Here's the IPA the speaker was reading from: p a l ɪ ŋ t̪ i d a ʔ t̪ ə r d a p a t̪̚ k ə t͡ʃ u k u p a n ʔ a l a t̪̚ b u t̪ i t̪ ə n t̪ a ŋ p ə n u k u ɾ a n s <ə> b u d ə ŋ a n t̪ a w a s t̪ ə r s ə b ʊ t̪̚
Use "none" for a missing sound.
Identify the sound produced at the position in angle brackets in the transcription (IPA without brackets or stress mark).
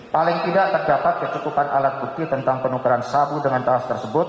a